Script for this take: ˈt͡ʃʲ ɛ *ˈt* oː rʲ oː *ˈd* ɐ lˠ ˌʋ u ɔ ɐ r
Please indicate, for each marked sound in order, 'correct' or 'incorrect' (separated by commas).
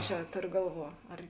correct, incorrect